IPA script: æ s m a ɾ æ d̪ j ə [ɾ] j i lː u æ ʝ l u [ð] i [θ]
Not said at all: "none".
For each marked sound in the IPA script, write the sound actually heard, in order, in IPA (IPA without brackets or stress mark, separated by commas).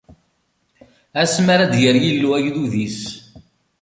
ɾ, ð, s